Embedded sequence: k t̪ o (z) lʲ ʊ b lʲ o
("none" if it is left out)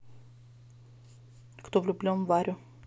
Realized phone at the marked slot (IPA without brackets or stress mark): v